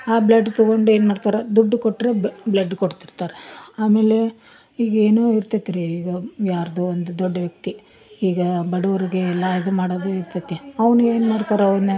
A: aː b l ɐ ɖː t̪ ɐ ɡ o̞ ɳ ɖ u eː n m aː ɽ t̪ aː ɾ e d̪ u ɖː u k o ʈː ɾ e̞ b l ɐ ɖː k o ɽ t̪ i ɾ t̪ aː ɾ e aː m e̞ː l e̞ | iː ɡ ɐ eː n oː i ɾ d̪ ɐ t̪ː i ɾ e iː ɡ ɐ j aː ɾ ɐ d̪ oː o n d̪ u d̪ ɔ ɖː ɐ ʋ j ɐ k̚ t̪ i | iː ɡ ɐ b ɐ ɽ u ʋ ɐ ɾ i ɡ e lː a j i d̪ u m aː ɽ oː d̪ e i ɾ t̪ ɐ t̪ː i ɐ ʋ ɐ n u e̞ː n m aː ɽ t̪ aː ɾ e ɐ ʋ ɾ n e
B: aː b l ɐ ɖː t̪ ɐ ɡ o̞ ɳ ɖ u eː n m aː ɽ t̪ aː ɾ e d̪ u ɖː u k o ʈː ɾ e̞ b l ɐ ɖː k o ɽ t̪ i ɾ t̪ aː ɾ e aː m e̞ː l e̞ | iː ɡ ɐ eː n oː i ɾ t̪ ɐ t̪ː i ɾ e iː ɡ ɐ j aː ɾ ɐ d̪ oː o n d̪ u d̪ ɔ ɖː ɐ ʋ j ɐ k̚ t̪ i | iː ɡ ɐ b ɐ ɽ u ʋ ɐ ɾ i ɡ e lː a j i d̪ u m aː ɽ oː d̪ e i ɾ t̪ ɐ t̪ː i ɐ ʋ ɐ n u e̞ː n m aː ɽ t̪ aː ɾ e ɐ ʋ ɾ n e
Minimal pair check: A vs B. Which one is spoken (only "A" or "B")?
B